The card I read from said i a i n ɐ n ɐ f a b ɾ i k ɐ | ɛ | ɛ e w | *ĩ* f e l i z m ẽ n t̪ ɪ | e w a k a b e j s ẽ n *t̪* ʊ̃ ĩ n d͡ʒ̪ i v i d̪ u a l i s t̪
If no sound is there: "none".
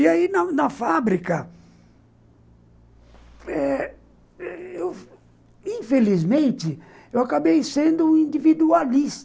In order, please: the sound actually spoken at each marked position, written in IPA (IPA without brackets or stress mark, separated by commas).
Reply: ĩ, d̪